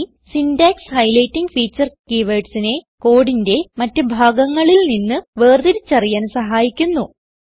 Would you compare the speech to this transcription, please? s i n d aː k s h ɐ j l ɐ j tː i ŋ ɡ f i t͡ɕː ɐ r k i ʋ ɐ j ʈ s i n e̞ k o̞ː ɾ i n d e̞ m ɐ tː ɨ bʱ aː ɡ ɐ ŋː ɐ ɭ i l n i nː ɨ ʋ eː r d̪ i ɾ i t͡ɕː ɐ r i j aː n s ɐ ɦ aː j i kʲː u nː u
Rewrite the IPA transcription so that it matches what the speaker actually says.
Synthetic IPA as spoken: s i n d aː k s h ɐ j l ɐ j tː i ŋ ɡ f iː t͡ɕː ɐ r k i ʋ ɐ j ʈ s i n e̞ k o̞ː ɽ i n d e̞ m ɐ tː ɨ bʱ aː ɡ ɐ ŋː ɐ ɭ i l n i nː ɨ ʋ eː r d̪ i ɾ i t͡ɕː ɐ r i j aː n s ɐ ɦ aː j i kʲː u nː u